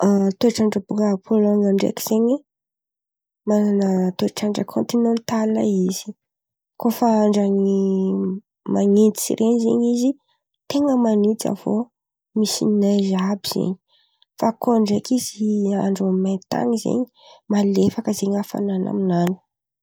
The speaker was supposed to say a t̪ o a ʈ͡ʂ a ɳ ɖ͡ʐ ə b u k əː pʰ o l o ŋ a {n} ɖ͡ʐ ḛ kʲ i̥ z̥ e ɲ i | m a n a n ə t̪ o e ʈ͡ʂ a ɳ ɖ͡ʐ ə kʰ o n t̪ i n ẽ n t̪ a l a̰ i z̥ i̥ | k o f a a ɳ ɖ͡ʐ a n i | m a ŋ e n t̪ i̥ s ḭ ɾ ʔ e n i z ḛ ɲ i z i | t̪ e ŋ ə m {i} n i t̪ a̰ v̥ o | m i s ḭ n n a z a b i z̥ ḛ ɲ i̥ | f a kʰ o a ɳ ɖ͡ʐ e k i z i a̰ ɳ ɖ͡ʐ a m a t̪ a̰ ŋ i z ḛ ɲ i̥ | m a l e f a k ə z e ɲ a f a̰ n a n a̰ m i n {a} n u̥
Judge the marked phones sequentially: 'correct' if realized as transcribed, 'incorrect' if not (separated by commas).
incorrect, incorrect, correct